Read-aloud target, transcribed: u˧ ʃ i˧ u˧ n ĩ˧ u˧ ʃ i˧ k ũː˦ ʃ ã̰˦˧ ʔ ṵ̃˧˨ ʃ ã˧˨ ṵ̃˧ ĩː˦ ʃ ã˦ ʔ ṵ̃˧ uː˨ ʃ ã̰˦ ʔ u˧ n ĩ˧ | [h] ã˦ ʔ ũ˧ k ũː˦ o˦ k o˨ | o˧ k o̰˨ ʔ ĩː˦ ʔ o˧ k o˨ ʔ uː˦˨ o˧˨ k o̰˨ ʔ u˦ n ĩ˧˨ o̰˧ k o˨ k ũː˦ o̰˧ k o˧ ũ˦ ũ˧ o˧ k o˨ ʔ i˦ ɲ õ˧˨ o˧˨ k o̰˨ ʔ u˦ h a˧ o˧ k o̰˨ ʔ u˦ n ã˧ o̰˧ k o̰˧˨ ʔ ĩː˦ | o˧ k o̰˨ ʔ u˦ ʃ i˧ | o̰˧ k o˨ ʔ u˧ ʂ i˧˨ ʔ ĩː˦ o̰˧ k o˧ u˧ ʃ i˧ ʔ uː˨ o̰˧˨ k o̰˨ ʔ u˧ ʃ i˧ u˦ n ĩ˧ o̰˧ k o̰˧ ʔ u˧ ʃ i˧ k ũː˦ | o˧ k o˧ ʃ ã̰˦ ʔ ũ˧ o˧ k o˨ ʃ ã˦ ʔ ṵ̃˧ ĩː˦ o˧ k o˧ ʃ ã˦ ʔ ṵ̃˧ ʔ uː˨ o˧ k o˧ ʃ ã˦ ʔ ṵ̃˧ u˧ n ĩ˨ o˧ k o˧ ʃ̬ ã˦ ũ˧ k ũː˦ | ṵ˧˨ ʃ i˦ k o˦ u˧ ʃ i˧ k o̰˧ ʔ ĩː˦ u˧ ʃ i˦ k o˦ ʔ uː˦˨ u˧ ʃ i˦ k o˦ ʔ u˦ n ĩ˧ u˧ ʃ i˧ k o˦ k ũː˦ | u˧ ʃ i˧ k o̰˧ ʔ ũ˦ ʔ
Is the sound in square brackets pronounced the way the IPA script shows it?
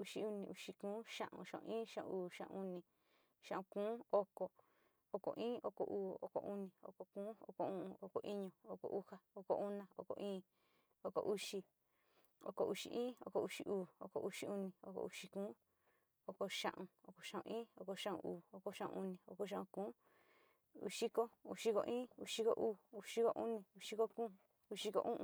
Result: no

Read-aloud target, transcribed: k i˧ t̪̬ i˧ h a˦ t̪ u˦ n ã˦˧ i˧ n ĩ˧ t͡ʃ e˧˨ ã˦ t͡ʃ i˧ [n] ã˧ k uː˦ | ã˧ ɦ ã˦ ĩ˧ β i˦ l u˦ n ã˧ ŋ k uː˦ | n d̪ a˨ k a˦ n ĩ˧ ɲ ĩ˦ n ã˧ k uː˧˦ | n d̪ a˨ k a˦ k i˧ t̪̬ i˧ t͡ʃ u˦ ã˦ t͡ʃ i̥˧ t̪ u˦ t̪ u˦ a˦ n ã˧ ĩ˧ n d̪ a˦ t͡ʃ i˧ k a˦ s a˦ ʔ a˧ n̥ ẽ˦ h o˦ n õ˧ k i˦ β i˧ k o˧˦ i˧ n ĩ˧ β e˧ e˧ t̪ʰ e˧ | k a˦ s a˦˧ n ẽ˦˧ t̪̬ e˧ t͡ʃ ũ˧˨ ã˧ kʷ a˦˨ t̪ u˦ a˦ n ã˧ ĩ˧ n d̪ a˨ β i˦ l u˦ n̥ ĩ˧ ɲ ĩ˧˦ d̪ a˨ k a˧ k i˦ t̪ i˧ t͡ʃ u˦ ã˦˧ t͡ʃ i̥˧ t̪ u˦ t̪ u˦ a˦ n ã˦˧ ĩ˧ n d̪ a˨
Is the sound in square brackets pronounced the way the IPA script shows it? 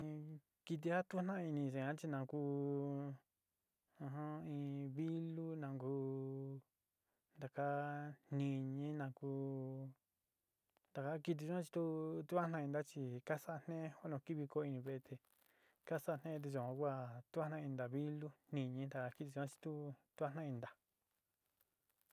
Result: yes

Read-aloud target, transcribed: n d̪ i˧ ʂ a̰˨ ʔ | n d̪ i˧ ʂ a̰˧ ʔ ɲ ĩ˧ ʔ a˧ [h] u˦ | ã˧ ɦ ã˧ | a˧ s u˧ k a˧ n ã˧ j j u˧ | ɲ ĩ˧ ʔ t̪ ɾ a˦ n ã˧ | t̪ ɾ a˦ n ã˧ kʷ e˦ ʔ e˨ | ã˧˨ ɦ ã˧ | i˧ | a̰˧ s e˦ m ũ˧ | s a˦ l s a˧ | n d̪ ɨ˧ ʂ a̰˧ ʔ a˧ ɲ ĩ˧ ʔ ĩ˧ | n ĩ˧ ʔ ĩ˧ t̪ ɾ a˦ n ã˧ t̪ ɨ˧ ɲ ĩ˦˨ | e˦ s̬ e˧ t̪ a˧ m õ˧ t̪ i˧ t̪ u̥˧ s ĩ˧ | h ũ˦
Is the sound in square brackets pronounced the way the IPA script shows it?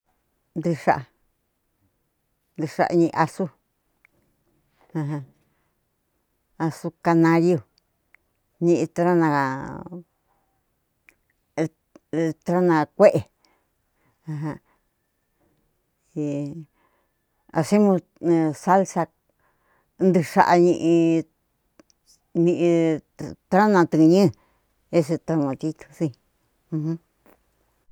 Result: no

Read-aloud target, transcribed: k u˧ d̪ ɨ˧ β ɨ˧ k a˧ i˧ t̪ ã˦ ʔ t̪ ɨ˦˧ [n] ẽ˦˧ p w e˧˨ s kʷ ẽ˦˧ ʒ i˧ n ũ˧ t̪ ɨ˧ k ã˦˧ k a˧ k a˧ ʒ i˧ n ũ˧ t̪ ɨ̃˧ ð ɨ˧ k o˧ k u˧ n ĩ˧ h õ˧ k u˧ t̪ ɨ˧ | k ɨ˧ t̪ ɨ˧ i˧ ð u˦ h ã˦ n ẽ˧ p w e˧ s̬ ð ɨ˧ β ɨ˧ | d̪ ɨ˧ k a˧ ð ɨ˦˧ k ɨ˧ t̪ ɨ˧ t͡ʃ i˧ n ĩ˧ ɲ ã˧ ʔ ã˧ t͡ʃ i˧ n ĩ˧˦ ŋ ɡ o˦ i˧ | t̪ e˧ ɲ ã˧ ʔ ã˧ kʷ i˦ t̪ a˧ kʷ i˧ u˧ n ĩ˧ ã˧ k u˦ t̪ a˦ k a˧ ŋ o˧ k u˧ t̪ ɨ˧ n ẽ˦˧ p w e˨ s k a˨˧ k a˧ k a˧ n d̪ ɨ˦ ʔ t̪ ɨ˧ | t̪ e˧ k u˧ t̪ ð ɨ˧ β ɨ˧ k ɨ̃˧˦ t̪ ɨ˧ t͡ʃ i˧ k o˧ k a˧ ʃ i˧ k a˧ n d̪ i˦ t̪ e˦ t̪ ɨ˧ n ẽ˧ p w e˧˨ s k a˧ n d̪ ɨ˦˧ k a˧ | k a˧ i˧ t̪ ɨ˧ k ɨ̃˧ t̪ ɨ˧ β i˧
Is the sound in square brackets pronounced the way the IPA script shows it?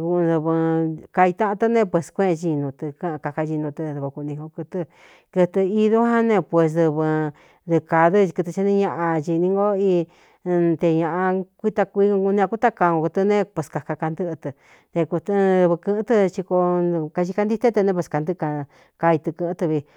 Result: yes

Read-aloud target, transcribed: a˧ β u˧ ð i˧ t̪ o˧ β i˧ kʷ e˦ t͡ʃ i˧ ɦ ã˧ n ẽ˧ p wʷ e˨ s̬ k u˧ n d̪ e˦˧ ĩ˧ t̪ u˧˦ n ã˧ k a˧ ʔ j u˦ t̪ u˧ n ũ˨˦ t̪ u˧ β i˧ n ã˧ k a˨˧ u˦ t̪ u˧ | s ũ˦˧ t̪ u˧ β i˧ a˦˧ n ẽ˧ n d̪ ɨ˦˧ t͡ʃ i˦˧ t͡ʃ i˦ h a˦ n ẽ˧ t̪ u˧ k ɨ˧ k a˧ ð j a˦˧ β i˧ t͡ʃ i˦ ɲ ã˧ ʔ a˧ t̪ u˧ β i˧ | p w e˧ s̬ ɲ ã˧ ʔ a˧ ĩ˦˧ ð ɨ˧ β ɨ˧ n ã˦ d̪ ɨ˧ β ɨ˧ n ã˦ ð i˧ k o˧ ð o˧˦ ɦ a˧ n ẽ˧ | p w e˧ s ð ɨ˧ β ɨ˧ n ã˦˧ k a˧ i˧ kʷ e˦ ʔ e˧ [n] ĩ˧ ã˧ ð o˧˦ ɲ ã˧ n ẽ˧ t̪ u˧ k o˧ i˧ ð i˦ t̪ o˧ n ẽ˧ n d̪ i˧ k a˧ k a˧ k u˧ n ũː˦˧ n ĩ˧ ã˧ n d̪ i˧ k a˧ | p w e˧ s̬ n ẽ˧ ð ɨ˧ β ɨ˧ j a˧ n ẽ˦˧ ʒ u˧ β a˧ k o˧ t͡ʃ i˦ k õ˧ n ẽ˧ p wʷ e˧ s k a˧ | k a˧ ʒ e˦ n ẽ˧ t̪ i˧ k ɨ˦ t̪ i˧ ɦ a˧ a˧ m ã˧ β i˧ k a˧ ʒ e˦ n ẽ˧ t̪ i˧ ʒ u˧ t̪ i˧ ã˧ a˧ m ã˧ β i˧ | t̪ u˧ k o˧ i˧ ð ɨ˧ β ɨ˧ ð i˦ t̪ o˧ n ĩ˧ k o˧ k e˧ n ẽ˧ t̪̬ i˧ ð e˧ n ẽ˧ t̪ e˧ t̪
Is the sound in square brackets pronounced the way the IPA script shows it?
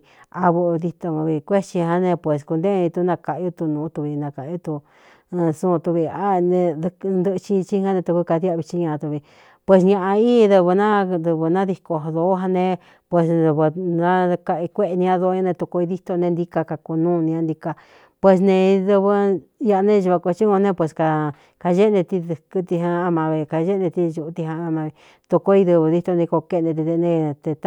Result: yes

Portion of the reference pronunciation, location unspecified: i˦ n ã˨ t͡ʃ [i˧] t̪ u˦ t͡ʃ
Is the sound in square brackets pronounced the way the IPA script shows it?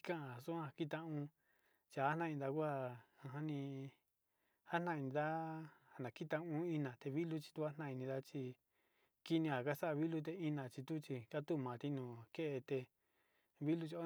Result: yes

